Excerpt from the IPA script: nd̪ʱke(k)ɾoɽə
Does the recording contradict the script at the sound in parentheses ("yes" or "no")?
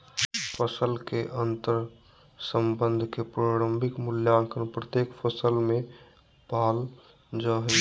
yes